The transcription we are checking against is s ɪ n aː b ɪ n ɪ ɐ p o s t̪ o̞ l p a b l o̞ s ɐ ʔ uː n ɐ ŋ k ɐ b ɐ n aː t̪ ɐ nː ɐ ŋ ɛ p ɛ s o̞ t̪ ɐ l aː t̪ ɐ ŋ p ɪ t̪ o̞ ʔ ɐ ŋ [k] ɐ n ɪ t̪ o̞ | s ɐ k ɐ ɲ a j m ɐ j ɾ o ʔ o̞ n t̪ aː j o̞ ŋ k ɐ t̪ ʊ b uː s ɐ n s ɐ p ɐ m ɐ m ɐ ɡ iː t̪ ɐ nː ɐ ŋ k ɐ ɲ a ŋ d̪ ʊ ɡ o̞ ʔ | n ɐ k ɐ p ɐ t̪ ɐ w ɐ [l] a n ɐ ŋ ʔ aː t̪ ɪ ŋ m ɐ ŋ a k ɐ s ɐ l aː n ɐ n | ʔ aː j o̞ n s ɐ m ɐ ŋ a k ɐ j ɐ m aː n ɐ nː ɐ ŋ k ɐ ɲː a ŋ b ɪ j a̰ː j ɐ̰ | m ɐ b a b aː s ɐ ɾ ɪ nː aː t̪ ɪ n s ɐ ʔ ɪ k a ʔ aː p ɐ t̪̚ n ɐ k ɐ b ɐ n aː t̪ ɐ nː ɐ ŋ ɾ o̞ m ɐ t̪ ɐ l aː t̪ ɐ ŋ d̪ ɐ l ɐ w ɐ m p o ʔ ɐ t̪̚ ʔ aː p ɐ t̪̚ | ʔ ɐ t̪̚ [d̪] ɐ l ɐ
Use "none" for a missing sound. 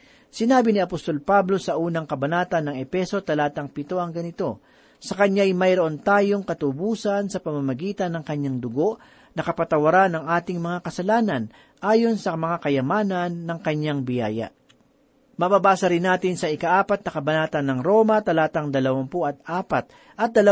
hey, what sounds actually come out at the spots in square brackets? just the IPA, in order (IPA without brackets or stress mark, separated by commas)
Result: ɡ, ɾ, d̪